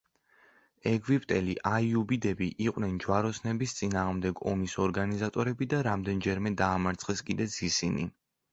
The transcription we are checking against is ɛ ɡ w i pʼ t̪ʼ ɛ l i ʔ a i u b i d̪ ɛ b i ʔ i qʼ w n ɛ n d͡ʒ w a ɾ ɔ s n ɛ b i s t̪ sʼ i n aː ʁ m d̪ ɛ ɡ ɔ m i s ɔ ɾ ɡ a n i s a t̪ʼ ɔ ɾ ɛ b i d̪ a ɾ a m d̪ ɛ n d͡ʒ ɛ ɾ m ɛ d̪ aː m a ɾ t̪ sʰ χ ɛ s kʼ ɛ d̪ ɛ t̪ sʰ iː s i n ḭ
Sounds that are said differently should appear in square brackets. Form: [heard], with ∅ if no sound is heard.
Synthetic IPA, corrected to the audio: ɛ ɡ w i pʼ t̪ʼ ɛ l i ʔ a i u b i d̪ ɛ b i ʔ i qʼ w n ɛ n d͡ʒ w a ɾ ɔ s n ɛ b i s t̪ sʼ i n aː ʁ m d̪ ɛ ɡ ɔ m i s ɔ ɾ ɡ a n i [z] a t̪ʼ ɔ ɾ ɛ b i d̪ a ɾ a m d̪ ɛ n d͡ʒ ɛ ɾ m ɛ d̪ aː m a ɾ t̪ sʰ χ ɛ s kʼ [i] d̪ ɛ t̪ sʰ [i] s i n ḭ